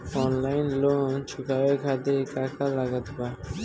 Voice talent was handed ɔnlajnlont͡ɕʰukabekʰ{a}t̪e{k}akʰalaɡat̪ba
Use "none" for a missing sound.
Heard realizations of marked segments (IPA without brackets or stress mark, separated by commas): a, k